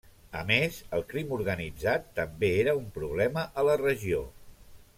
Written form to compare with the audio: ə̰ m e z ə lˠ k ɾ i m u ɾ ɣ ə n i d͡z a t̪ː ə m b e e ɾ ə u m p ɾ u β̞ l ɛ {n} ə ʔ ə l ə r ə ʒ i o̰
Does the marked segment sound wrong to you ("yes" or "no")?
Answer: yes